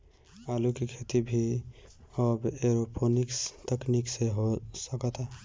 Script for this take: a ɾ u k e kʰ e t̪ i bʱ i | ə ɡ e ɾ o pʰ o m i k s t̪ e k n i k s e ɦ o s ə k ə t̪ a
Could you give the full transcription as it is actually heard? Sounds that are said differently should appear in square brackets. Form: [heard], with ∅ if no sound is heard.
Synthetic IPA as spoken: a [l] u k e kʰ e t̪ i bʱ i | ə [b] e ɾ o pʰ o [n] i k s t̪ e k n i k s e ɦ o s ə k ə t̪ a